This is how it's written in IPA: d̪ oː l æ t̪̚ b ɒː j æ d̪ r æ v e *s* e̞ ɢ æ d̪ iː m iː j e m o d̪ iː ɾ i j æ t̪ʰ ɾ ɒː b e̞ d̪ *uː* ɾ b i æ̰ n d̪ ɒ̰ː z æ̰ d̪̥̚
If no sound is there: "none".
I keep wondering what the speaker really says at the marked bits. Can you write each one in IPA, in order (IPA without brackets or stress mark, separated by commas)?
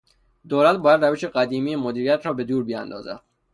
ʃ, uː